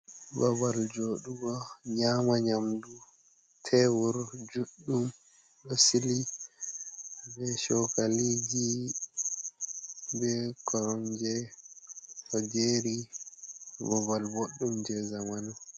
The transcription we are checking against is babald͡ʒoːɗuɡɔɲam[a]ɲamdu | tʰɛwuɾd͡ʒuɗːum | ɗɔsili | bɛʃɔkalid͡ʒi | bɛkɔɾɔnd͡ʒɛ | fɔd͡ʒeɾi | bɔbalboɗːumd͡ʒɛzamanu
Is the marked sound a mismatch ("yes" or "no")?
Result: no